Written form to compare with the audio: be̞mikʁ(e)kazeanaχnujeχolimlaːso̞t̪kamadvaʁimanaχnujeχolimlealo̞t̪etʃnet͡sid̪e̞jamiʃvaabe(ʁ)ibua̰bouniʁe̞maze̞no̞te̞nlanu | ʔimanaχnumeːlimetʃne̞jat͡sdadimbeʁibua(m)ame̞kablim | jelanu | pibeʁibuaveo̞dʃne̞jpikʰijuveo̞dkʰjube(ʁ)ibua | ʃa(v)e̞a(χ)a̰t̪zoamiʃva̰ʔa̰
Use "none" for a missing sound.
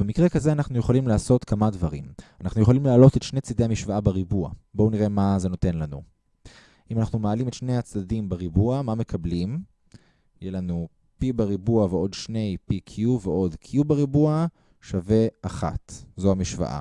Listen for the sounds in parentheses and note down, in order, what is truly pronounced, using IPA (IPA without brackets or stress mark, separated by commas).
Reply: e, ʁ, m, ʁ, v, χ